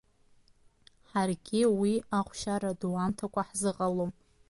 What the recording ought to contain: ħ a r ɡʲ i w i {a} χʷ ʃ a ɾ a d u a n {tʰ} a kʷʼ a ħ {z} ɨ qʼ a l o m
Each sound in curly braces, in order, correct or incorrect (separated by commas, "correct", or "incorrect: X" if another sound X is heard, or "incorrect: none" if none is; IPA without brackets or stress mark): correct, correct, correct